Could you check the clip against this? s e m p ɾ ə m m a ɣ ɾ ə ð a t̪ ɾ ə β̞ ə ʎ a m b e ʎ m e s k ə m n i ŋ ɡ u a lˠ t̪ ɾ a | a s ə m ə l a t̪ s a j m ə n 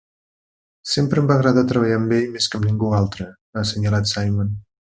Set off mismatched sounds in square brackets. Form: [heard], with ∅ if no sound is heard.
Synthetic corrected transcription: s e m p ɾ ə m [b] a ɣ ɾ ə ð a t̪ ɾ ə β̞ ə ʎ a m b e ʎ m e s k ə m n i ŋ ɡ u a lˠ t̪ ɾ [ə] | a s ə [ɲ] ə l a t̪ s a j m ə n